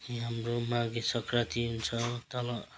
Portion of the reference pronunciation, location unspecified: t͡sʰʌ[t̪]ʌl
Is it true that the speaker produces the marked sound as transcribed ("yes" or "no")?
yes